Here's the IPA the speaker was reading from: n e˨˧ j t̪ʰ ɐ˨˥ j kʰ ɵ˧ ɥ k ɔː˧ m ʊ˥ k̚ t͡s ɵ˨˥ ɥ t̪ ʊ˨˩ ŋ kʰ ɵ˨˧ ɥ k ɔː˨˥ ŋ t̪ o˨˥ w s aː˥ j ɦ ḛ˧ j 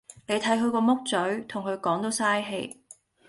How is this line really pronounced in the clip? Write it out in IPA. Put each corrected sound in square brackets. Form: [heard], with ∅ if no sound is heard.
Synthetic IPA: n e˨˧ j t̪ʰ ɐ˨˥ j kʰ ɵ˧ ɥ k ɔː˧ m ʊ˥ k̚ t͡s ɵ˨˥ ɥ [t̪ʰ] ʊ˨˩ ŋ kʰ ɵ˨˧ ɥ k ɔː˨˥ ŋ t̪ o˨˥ w s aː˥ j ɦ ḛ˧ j